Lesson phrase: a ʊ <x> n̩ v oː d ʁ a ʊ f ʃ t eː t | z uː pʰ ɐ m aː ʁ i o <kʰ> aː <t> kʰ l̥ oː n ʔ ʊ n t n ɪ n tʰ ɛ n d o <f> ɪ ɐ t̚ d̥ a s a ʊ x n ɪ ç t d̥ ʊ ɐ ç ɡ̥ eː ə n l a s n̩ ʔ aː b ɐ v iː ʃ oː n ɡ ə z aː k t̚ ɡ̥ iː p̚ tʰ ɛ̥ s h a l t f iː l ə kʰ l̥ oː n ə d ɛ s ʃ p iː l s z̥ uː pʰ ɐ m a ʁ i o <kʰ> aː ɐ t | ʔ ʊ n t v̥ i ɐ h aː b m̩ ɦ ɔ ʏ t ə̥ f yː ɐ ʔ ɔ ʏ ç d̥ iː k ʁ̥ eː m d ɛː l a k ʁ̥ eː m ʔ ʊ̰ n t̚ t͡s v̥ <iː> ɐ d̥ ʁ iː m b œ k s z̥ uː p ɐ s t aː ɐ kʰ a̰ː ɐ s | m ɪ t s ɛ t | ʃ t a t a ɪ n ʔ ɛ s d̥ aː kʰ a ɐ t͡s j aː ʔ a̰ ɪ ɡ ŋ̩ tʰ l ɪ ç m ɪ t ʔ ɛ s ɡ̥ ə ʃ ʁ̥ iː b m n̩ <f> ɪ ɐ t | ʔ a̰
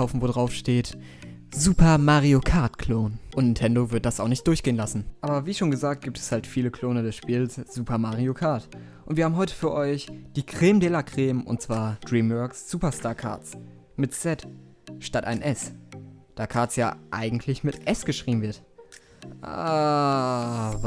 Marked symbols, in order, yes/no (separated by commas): no, yes, yes, no, yes, no, no